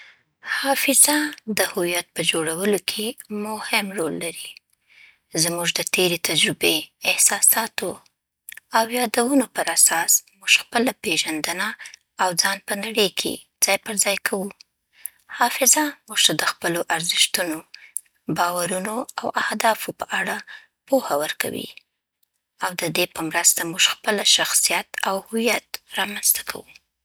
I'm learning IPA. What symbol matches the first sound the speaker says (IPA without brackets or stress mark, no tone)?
h